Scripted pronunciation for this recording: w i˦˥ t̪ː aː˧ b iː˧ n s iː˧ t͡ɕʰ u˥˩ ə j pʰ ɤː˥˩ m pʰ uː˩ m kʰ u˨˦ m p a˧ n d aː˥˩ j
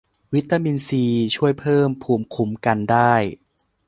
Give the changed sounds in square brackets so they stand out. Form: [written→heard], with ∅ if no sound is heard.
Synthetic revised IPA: w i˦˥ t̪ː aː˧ [b→m] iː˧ n s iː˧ t͡ɕʰ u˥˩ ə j pʰ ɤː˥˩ m pʰ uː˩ m kʰ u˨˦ m [p→k] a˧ n d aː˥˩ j